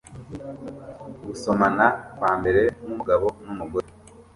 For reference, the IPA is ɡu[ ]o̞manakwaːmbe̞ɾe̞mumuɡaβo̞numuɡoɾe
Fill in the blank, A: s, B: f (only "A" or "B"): A